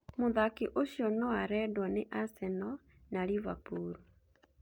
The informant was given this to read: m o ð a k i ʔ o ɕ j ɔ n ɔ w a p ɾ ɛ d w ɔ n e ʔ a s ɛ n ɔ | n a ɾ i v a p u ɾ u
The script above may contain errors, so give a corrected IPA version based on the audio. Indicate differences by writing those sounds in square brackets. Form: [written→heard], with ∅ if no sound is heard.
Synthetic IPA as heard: m o ð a k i ʔ o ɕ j ɔ n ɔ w a [p→∅] ɾ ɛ d w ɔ n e ʔ a s ɛ n ɔ | n a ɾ i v a p u ɾ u